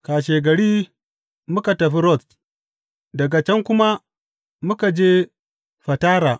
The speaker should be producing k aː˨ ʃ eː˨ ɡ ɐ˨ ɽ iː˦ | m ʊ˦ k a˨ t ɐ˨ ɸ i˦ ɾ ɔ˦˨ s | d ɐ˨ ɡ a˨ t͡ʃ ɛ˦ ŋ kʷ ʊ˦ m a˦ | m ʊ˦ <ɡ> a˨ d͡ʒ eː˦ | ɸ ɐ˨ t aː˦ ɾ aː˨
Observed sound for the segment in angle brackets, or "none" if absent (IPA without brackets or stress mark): k